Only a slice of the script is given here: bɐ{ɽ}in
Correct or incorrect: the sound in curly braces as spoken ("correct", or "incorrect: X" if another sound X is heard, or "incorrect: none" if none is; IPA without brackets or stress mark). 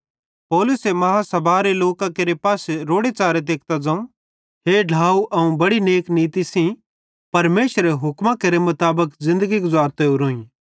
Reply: correct